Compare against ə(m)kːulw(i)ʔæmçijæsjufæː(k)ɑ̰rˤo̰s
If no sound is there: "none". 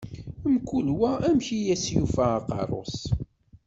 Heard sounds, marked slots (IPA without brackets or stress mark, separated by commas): m, æ, q